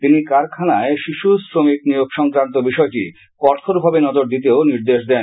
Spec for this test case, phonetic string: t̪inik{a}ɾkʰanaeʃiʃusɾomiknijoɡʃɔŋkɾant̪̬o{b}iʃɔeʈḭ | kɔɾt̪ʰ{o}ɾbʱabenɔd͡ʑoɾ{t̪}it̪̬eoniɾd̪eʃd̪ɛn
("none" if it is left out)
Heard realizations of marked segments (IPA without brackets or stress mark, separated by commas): a, b, o, d̪